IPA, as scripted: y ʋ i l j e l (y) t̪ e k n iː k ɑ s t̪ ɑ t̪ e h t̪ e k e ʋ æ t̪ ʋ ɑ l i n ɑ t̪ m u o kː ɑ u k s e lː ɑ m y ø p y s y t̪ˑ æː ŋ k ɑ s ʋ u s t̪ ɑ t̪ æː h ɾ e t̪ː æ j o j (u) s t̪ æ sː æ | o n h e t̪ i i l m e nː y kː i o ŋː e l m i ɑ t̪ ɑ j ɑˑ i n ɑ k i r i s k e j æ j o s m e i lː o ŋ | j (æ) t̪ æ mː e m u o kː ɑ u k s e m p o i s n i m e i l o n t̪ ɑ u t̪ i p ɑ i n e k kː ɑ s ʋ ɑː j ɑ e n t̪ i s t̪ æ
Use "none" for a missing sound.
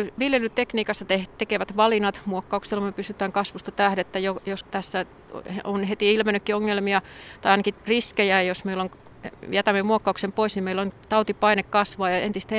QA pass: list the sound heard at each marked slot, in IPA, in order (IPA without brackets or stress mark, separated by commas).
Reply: y, o, æ